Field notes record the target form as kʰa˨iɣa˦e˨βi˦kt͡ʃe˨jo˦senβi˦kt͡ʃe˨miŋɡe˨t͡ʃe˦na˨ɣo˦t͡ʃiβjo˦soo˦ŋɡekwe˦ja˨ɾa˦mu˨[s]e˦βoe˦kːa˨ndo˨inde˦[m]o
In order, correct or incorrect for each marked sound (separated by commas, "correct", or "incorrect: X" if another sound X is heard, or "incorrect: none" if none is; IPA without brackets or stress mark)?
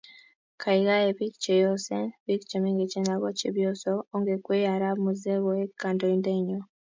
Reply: incorrect: z, incorrect: ɲ